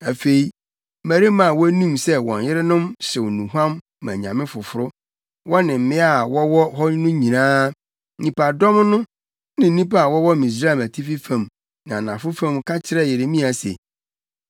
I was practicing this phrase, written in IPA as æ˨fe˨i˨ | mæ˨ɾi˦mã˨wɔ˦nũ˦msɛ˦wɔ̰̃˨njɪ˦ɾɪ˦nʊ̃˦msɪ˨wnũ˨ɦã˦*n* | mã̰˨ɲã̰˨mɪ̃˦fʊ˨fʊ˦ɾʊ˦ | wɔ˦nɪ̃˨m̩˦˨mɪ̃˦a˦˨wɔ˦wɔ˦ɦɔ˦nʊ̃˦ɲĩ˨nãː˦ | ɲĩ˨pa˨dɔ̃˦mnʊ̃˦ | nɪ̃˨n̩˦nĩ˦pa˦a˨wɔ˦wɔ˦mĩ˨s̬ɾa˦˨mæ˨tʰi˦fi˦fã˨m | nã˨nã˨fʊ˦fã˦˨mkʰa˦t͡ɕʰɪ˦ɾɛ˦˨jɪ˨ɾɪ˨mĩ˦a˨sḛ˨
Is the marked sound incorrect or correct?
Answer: incorrect: m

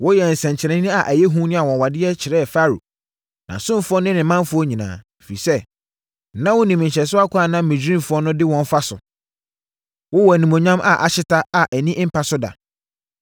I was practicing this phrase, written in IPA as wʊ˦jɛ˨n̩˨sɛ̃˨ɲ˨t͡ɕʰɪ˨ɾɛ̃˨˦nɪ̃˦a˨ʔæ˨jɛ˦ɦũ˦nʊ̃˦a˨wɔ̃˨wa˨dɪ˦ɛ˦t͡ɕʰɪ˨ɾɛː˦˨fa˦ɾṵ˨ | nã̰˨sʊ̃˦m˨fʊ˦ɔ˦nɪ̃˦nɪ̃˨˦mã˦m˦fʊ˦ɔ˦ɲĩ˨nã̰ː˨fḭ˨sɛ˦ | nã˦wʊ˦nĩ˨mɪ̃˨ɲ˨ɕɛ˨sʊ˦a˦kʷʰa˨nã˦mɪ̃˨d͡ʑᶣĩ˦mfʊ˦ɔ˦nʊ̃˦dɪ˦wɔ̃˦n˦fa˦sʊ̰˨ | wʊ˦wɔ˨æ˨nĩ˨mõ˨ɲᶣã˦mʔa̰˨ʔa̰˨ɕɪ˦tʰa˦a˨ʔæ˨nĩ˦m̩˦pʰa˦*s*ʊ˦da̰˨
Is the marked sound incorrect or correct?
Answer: correct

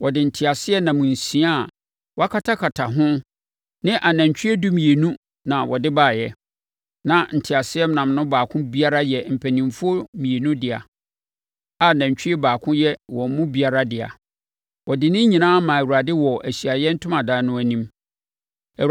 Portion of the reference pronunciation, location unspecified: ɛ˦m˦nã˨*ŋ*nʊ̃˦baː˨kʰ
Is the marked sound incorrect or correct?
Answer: incorrect: m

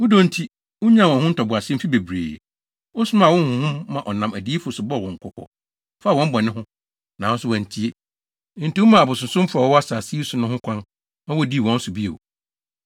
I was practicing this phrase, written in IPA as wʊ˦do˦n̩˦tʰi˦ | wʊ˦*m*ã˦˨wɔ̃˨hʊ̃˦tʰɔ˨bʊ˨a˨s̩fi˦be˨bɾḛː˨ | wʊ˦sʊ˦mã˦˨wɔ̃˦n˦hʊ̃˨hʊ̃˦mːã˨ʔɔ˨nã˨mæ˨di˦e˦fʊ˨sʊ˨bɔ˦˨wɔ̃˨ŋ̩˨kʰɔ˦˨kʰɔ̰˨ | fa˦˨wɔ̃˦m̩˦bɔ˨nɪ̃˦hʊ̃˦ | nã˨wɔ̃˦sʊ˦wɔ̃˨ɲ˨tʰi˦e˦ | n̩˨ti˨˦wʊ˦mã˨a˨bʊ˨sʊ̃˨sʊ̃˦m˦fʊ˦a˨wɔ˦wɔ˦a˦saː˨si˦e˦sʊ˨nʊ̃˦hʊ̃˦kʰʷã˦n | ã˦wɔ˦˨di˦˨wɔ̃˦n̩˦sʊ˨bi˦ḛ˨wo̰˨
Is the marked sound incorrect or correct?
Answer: incorrect: ɲ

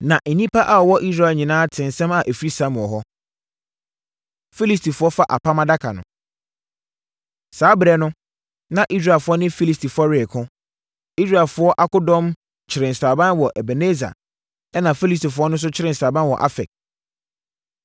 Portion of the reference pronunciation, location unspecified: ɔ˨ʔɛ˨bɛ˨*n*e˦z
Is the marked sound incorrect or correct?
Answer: correct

